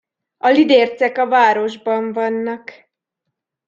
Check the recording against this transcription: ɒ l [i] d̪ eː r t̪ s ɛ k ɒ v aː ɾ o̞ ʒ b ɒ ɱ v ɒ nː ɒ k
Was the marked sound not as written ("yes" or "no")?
no